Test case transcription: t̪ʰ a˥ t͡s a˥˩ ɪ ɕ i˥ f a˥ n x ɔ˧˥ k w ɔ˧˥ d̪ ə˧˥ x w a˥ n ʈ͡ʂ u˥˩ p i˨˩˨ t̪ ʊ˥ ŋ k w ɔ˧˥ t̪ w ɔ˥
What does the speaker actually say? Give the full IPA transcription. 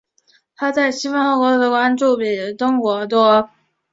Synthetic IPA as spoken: t̪ʰ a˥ t͡s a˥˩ ɪ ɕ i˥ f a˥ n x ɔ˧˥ k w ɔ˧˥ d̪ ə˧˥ k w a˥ n ʈ͡ʂ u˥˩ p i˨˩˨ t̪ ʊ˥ ŋ k w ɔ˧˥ t̪ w ɔ˥